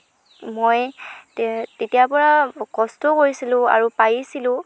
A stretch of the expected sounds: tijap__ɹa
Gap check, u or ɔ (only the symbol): ɔ